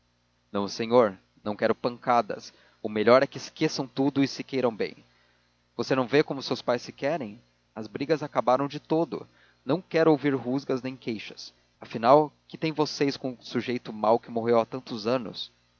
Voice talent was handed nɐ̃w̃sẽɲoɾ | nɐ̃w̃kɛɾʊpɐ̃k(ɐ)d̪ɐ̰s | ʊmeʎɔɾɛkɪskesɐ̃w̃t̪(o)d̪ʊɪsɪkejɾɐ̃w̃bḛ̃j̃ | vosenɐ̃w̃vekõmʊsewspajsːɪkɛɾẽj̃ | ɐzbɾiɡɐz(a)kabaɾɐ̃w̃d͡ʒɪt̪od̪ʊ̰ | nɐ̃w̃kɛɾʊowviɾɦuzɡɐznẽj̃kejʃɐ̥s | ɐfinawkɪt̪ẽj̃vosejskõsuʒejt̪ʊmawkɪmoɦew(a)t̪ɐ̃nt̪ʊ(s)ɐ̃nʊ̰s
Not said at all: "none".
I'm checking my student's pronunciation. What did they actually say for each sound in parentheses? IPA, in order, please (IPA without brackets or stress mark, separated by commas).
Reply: a, u, a, a, z